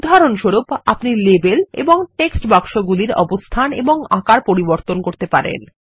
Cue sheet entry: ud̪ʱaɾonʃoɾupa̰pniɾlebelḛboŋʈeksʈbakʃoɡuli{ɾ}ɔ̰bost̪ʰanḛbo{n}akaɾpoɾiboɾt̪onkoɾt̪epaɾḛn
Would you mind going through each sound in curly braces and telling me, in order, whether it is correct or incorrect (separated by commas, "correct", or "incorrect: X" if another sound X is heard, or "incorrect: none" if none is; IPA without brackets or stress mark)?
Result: correct, incorrect: ŋ